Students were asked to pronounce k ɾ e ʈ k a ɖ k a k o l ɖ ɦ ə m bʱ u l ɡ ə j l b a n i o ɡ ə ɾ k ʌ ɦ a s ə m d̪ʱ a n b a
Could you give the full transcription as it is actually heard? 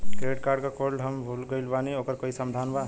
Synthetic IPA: k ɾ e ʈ k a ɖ k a k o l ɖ ɦ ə m bʱ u l ɡ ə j l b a n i o k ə ɾ k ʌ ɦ i s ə m d̪ʱ a n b a